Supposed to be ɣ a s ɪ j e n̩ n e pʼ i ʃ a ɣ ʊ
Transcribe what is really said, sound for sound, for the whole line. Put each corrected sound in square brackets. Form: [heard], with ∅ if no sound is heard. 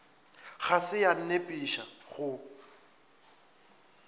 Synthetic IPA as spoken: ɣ a s ɪ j [a] n̩ n e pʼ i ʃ a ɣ ʊ